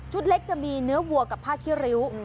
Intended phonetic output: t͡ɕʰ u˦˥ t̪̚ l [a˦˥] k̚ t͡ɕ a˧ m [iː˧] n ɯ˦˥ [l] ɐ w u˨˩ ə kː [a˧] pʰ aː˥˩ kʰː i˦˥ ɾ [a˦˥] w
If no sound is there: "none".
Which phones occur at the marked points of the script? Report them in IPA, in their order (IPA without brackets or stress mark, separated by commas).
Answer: e˦˥, iː˧, none, a˨˩, i˦˥